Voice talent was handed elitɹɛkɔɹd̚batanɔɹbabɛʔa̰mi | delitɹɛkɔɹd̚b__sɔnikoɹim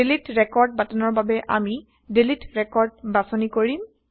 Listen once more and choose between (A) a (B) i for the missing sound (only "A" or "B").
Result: A